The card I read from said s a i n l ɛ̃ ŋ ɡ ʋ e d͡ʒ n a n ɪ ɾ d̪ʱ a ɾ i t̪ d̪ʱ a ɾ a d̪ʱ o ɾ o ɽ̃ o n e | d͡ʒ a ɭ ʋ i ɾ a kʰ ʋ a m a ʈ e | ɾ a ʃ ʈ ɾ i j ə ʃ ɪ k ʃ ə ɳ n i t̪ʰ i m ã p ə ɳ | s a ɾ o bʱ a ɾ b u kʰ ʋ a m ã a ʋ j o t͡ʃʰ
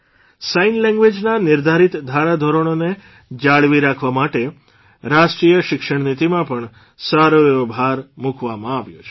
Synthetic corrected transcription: s a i n l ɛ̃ ŋ ɡ ʋ e d͡ʒ n a n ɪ ɾ d̪ʱ a ɾ i t̪ d̪ʱ a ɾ a d̪ʱ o ɾ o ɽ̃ o n e | d͡ʒ a ɭ ʋ i ɾ a kʰ ʋ a m a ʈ e | ɾ a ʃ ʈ ɾ i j ə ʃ ɪ k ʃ ə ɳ n i t̪ i m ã p ə ɳ | s a ɾ o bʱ a ɾ m u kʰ ʋ a m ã a ʋ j o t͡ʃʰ